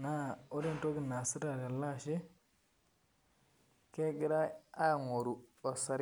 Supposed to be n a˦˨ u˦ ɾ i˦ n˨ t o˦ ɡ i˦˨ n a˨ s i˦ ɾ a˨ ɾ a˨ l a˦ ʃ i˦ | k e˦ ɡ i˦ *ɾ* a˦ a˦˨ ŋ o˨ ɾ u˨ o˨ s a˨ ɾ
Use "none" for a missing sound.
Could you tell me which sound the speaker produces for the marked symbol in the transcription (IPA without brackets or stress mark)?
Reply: ɾ